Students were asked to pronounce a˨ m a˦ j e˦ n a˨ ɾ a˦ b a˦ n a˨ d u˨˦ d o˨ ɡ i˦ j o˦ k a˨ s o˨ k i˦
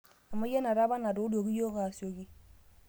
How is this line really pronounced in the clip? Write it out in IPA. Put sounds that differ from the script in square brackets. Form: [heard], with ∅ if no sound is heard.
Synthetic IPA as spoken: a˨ m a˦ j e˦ n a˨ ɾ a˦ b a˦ n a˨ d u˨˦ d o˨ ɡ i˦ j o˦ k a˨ s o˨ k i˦